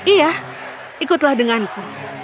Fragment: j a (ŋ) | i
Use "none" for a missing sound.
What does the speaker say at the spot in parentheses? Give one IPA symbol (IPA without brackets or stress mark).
none